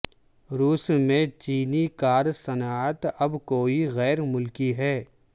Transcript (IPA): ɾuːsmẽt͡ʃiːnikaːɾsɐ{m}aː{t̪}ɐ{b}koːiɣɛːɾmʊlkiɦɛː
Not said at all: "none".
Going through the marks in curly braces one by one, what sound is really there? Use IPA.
n, t̪, b

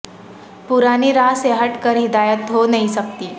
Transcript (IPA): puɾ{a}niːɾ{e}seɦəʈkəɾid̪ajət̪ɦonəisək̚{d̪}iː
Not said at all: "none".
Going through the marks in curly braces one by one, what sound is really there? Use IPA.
a, a, t̪

